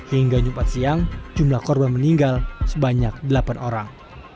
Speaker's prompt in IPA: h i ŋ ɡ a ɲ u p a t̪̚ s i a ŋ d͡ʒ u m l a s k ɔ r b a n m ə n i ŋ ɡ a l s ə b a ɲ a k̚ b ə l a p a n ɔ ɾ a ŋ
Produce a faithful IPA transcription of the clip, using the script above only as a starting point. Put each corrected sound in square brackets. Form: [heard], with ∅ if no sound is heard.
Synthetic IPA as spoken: h i ŋ ɡ a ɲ u p a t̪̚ s i a ŋ d͡ʒ u m l a [h] k ɔ r b a n m ə n i ŋ ɡ a l s ə b a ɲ a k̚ [d] ə l a p a n [o] ɾ a ŋ